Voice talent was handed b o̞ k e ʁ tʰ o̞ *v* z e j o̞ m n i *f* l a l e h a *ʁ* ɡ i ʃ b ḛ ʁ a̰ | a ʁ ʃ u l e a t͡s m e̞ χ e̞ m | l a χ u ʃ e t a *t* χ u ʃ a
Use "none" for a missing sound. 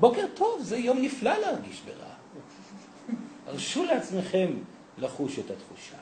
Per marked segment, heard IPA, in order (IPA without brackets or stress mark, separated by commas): v, f, ʁ, t